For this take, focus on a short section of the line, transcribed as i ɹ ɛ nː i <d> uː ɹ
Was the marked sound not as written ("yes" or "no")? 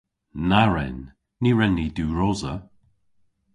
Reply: no